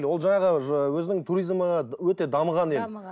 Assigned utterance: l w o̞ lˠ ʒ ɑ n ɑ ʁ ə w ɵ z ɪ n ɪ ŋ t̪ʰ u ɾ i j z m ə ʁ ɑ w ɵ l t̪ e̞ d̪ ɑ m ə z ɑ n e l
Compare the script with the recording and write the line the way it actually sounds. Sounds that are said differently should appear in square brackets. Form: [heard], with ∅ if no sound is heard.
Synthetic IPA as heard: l w o̞ lˠ ʒ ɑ [ɴ] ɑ ʁ ə w ɵ z ɪ n ɪ ŋ t̪ʰ u ɾ i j z m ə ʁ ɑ w ɵ [∅] t̪ e̞ d̪ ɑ m ə [ʁ] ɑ n e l